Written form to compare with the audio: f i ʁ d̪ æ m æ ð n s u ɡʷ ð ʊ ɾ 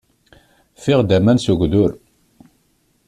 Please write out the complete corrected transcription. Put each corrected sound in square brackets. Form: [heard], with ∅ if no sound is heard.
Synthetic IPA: f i ʁ d̪ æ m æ [∅] n s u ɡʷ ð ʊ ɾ